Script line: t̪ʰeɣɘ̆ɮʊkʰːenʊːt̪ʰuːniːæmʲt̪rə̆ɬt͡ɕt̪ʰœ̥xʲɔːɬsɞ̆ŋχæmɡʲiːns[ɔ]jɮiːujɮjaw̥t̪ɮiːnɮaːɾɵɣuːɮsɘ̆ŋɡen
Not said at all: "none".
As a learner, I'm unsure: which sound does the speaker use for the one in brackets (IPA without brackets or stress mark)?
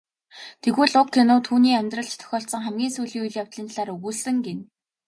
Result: u